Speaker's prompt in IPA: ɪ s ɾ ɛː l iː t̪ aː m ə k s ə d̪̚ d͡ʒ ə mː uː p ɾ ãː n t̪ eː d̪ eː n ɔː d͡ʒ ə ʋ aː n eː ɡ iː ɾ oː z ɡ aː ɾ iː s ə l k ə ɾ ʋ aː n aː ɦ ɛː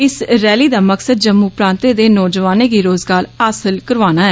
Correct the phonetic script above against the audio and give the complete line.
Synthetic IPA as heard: ɪ s ɾ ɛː l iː d̪ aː m ə k s ə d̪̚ d͡ʒ ə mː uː p ɾ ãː n t̪ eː d̪ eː n ɔː d͡ʒ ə ʋ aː n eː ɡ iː ɾ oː z ɡ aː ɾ aː s ə l k ə ɾ ʋ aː n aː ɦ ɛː